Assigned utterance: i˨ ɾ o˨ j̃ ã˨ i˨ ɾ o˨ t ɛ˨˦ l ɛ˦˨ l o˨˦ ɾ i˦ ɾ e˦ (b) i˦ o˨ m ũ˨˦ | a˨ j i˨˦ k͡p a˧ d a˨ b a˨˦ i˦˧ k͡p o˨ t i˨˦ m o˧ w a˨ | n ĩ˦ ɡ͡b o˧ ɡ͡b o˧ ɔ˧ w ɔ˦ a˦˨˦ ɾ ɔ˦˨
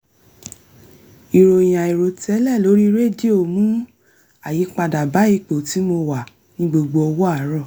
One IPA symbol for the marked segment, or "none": d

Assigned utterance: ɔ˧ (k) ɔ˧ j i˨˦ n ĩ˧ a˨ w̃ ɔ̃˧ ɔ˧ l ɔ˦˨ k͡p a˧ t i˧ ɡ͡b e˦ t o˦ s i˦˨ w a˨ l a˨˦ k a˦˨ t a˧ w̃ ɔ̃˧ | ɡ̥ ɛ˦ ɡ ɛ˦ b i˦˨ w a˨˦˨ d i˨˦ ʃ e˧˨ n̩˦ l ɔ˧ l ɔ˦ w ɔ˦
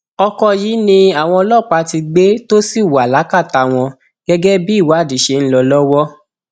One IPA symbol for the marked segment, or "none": k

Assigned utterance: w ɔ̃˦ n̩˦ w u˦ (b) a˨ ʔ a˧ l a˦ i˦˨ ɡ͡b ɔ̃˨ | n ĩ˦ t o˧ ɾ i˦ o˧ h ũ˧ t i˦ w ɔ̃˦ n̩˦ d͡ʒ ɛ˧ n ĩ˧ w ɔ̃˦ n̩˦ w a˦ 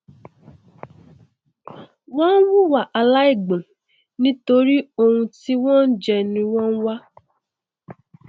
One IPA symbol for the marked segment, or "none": w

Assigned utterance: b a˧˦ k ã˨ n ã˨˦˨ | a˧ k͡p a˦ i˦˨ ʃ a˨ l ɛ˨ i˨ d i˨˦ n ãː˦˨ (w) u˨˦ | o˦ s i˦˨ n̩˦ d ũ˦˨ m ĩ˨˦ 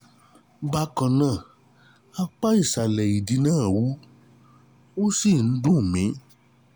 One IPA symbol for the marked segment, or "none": w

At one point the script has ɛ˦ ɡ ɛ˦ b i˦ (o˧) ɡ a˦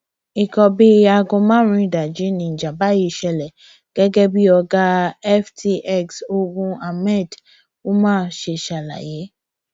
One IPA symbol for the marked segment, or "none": ɔ˧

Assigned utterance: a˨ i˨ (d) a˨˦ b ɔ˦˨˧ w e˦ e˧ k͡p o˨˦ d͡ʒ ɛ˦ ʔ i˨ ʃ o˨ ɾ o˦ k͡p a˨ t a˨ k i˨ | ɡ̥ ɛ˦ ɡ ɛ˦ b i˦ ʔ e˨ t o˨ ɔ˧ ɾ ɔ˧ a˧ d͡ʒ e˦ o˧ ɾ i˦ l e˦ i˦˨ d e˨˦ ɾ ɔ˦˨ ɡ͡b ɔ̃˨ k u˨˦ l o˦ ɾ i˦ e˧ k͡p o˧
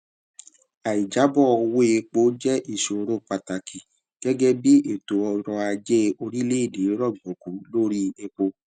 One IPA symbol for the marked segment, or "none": d͡ʒ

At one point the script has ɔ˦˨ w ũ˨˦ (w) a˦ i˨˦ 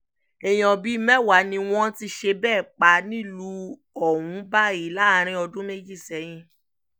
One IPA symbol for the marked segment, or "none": b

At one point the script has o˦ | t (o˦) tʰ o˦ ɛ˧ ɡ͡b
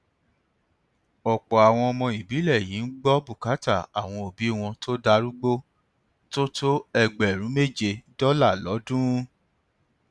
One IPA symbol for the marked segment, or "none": o˦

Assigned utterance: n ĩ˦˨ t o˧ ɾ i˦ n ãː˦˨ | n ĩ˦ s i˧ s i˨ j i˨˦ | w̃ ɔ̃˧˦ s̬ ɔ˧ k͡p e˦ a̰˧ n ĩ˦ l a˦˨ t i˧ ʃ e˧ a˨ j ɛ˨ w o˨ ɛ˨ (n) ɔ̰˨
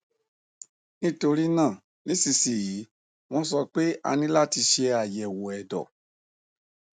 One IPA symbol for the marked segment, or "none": d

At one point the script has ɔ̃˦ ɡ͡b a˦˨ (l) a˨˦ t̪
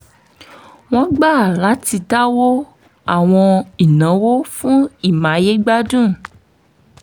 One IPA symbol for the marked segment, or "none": l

